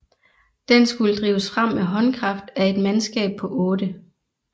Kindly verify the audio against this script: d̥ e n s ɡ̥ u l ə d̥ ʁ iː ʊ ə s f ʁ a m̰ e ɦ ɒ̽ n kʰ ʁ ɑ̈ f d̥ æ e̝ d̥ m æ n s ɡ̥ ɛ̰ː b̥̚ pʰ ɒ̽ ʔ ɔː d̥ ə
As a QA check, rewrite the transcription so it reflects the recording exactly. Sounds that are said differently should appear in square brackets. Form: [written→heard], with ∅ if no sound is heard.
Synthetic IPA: d̥ e n s ɡ̥ u l ə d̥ ʁ iː ʊ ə s f ʁ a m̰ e ɦ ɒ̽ n kʰ ʁ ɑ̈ f d̥ æ e̝ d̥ m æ n s ɡ̥ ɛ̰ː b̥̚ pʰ ɒ̽ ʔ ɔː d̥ ə